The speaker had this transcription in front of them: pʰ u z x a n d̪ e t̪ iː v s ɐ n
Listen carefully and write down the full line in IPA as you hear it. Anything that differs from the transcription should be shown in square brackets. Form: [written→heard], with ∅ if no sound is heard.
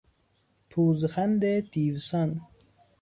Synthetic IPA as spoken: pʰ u z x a n d̪ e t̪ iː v s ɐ n